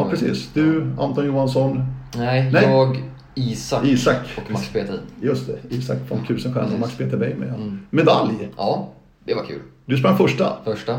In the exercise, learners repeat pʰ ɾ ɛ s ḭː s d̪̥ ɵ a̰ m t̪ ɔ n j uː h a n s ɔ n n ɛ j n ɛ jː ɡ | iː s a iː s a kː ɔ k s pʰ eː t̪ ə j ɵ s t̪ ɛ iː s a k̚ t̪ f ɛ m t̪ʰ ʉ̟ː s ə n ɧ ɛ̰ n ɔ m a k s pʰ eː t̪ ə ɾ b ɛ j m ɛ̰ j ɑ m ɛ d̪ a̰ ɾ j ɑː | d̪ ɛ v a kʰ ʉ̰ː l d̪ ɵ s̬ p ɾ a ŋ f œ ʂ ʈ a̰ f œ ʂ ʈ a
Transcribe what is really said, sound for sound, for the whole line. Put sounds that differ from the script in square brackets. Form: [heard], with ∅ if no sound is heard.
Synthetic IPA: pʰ ɾ ɛ s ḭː s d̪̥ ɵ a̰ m t̪ ɔ n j uː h a n s ɔ n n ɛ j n ɛ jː ɡ | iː s a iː s a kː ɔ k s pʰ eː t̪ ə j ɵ s t̪ ɛ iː s a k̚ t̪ f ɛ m t̪ʰ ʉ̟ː s ə n ɧ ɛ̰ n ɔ m a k s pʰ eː t̪ ə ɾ b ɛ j m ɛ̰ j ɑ m ɛ d̪ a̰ [l] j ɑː | d̪ ɛ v a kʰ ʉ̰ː l d̪ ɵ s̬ p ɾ a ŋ f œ ʂ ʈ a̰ f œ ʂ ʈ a